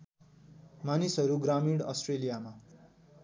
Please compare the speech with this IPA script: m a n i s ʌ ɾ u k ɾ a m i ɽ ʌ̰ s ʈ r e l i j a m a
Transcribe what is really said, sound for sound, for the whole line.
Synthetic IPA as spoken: m a n i s ʌ ɾ u ɡ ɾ a m i ɽ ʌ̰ s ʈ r e l i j a m a